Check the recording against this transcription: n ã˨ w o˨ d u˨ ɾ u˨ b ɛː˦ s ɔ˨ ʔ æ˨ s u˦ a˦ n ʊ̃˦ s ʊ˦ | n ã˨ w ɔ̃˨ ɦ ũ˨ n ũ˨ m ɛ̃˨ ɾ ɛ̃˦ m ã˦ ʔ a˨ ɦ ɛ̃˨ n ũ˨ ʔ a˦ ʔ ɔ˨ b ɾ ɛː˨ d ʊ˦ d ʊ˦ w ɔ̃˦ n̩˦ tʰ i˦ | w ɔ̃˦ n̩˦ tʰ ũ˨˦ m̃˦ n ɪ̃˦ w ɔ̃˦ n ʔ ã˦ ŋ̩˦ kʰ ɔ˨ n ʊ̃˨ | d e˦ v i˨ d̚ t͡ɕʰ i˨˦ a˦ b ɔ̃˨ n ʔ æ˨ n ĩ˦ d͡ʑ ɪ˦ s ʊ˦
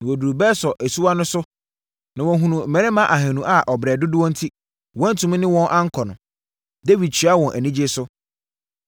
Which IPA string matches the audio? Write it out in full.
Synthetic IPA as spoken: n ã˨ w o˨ d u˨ ɾ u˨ b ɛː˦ s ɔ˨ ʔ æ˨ s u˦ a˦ n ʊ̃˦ s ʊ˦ | n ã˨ w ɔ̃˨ ɦ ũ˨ n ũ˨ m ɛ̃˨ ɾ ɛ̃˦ m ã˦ ʔ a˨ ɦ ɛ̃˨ n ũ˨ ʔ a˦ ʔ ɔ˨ b ɾ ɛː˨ d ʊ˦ d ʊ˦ w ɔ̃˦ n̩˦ tʰ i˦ | w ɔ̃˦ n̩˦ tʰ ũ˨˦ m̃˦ n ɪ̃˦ w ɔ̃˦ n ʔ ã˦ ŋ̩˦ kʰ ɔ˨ n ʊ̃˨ | d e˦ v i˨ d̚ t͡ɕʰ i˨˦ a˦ w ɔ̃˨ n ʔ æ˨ n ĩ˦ d͡ʑ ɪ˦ s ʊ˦

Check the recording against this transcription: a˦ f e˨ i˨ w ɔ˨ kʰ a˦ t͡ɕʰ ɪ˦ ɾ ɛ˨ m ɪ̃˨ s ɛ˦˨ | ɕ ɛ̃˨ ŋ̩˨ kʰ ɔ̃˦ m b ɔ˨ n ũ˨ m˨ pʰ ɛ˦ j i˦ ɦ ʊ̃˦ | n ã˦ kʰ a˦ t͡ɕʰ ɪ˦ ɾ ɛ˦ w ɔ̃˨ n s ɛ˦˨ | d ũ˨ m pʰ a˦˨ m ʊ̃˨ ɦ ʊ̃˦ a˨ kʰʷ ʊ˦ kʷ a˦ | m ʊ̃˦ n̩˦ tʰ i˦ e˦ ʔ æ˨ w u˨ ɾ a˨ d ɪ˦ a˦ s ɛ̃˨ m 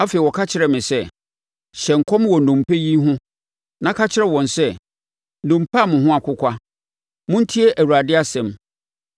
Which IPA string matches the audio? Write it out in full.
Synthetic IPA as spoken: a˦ f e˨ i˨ w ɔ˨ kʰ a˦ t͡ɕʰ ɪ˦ ɾ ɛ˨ m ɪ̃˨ s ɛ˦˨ | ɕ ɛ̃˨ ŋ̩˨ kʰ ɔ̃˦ m w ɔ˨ n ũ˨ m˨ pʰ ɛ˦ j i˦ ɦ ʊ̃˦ | n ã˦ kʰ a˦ t͡ɕʰ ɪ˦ ɾ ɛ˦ w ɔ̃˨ n s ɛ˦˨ | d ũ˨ m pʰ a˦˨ m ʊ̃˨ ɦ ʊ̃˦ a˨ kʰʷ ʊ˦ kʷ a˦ | m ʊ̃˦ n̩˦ tʰ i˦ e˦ ʔ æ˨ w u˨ ɾ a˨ d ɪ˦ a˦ s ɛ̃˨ m

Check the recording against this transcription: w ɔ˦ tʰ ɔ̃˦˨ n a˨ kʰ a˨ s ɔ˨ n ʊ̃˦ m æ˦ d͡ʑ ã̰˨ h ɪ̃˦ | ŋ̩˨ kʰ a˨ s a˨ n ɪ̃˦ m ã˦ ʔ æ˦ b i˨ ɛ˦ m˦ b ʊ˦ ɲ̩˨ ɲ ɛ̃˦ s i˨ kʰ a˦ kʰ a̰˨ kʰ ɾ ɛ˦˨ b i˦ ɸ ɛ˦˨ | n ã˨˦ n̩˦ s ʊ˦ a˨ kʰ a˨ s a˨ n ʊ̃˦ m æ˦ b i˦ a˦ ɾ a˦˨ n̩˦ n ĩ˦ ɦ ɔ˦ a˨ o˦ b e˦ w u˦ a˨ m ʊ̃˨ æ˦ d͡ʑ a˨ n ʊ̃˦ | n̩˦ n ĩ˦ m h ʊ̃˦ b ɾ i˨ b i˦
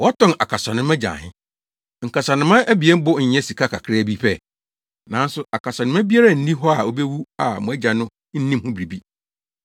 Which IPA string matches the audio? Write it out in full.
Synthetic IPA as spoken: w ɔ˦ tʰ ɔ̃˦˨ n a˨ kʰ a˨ s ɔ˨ n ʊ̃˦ m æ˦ d͡ʑ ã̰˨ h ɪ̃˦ | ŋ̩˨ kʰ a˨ s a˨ n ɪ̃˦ m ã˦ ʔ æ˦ b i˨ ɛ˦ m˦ b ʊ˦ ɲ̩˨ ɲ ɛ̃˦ s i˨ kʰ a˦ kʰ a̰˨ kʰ ɾ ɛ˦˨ b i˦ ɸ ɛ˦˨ | n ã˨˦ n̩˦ s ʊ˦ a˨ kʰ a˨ s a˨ n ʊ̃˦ m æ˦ b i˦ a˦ ɾ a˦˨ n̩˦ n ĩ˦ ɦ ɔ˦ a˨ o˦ b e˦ w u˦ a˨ m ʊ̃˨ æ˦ d͡ʑ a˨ n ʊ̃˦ | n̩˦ n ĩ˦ m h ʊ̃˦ b ɾ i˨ b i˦

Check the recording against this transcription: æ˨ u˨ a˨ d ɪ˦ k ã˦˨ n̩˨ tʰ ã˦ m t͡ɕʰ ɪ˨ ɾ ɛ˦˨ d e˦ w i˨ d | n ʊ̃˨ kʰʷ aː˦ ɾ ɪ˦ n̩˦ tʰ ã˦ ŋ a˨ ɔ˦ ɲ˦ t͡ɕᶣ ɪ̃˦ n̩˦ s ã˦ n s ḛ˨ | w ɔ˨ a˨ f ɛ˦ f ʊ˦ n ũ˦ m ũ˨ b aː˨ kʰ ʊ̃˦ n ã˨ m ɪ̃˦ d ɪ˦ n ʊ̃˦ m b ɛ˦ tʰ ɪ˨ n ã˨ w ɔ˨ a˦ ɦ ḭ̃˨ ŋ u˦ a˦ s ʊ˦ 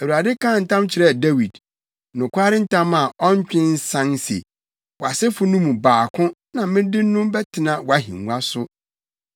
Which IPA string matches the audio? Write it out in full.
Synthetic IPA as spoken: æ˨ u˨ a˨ d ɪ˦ k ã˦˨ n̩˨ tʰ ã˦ m t͡ɕʰ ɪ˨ ɾ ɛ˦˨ d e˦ w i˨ d | n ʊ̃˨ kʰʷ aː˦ ɾ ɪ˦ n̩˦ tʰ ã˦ m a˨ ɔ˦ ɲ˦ t͡ɕᶣ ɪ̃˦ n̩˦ s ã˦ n s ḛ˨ | w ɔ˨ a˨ s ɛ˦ f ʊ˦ n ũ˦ m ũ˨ b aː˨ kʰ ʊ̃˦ n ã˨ m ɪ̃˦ d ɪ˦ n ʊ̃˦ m b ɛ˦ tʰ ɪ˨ n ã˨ w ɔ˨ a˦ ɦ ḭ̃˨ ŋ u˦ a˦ s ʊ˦

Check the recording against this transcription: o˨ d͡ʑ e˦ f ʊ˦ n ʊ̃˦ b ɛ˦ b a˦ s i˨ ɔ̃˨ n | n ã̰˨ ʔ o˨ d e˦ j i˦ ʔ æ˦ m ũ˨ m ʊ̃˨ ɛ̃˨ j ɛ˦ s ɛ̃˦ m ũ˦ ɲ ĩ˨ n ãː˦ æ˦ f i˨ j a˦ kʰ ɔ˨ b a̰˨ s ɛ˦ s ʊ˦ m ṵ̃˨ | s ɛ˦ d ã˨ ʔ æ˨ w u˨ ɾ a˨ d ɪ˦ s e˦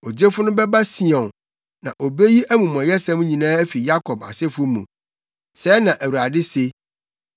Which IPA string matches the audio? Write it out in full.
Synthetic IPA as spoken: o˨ d͡ʑ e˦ f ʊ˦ n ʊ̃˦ b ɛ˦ b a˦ s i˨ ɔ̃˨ n | n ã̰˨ ʔ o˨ b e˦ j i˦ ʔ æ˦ m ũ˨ m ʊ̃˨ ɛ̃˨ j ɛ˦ s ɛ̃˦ m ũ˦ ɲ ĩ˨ n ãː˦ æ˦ f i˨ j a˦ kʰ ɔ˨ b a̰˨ s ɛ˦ f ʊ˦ m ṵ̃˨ | s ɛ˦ n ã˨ ʔ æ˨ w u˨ ɾ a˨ d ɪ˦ s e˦

